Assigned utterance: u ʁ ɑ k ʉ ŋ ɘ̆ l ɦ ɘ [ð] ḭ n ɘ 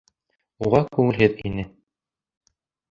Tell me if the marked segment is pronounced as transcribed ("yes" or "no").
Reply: yes